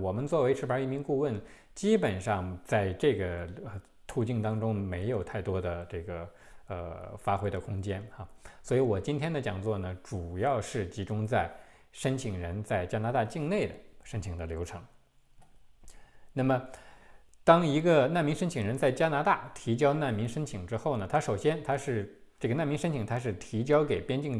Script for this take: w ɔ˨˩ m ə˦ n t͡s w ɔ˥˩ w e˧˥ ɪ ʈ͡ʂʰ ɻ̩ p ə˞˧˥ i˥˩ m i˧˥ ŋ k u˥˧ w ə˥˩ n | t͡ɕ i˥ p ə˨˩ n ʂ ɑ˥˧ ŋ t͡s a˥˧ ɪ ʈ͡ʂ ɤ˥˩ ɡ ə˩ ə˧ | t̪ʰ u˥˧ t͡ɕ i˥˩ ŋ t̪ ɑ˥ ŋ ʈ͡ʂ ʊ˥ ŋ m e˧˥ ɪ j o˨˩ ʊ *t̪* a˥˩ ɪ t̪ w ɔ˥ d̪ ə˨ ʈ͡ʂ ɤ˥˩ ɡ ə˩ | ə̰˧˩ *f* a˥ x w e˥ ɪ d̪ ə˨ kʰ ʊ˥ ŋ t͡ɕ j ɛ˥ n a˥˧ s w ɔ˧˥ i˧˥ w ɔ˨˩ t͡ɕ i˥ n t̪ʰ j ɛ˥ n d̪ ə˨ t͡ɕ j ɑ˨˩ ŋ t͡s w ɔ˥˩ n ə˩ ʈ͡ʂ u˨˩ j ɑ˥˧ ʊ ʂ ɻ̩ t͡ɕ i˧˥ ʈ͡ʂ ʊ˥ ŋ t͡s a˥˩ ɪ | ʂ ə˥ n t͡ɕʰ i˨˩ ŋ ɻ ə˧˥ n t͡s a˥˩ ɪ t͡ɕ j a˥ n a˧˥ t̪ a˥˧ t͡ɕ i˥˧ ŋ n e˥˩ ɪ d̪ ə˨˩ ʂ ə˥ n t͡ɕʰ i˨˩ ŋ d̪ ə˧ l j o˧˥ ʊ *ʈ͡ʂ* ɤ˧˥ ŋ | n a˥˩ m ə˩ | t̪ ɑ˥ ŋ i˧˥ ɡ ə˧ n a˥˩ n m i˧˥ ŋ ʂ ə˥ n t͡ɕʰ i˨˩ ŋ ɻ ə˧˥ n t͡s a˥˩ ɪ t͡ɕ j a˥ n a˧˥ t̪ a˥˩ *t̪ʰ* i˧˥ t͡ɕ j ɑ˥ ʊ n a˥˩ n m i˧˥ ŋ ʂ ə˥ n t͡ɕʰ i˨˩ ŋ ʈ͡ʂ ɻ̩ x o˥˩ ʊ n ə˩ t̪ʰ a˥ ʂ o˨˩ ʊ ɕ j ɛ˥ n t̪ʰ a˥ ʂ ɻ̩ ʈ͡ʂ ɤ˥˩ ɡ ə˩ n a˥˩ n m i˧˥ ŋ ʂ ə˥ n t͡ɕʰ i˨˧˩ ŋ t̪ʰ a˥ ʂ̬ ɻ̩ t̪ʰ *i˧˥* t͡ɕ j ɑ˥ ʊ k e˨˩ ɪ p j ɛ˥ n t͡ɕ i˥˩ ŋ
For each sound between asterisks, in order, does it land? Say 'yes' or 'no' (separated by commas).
no, yes, no, yes, yes